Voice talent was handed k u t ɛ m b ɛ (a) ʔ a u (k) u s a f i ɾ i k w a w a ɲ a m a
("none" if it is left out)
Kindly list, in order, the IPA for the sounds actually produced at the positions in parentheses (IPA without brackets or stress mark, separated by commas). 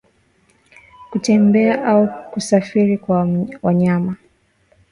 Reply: a, k